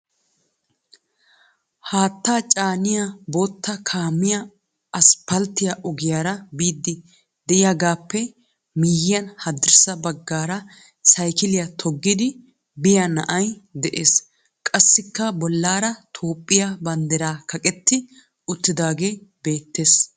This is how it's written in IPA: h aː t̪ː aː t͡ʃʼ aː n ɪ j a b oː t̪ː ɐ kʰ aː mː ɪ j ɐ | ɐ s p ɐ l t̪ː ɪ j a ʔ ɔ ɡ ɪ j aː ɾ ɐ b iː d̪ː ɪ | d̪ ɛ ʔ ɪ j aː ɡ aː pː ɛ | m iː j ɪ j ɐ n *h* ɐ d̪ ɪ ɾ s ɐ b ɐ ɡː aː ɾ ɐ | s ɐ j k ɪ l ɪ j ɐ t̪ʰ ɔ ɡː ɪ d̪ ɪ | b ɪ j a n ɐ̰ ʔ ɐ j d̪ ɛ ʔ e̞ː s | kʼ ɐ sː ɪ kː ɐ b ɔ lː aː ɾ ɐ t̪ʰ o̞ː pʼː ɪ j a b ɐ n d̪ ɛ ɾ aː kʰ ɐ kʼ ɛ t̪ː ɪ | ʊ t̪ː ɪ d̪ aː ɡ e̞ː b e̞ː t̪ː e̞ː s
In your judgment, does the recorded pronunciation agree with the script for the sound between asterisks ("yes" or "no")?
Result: yes